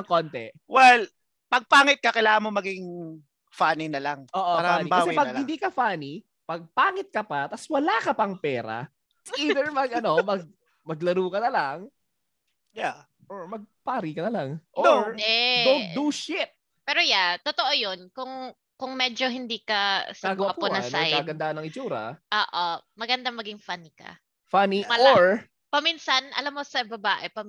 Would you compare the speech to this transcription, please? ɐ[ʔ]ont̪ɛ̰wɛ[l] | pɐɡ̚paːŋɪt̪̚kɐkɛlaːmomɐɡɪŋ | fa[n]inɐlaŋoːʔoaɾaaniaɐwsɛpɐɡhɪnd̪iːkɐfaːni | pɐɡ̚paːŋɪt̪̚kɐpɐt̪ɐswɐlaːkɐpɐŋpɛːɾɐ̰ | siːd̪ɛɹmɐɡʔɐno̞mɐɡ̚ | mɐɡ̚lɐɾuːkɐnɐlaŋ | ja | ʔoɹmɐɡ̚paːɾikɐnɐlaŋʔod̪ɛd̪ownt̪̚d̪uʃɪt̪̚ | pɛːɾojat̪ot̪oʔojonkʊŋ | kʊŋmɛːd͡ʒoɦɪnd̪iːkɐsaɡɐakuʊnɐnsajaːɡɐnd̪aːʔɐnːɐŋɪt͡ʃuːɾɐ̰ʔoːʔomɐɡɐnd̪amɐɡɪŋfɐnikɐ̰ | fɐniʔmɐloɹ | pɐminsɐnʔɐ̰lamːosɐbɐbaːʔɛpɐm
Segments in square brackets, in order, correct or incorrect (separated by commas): incorrect, correct, correct